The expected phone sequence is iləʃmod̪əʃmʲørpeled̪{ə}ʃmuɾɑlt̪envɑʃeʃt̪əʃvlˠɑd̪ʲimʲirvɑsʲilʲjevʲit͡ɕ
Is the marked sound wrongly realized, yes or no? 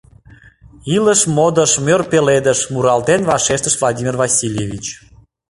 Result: no